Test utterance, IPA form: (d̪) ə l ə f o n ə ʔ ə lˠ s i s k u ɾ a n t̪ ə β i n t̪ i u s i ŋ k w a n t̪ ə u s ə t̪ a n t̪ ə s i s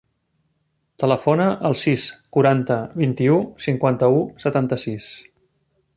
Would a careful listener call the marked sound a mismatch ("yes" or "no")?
yes